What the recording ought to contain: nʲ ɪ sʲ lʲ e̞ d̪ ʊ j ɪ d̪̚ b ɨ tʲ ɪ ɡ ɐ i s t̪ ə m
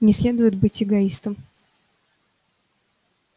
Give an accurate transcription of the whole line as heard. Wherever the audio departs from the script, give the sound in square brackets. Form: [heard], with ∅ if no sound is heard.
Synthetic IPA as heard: nʲ ɪ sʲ lʲ e̞ d̪ ʊ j ɪ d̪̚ b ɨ tʲ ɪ ɡ ɐ i s t̪ ə m